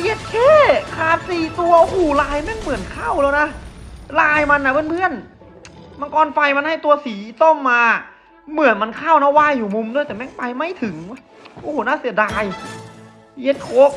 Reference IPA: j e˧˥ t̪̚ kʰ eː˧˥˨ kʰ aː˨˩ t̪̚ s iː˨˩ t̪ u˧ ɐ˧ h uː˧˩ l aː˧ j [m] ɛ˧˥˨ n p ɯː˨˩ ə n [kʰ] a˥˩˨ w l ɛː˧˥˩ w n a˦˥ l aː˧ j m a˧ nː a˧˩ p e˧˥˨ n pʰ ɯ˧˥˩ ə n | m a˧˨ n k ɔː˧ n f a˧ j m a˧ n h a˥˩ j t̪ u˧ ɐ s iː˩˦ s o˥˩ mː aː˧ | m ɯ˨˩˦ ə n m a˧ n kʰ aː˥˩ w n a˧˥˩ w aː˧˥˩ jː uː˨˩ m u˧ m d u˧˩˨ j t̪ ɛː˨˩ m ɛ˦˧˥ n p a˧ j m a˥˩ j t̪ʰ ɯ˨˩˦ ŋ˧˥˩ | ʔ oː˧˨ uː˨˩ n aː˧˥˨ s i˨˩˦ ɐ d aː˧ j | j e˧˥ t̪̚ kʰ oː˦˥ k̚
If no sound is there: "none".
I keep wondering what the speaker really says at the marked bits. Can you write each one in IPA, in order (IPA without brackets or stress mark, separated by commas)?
m, kʰ